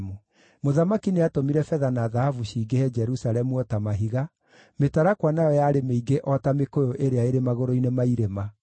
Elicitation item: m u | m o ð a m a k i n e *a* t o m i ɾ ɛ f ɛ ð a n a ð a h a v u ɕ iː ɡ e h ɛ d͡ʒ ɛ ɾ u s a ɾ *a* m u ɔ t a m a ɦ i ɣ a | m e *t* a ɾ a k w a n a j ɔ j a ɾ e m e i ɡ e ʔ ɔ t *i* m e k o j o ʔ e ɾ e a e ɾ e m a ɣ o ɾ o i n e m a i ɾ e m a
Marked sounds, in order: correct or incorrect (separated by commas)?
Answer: correct, incorrect, correct, incorrect